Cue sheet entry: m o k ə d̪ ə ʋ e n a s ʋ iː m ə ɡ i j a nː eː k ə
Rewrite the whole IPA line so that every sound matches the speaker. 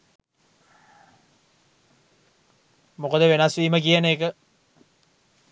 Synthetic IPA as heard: m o k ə d̪ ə ʋ e n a s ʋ iː m ə k i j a n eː k ə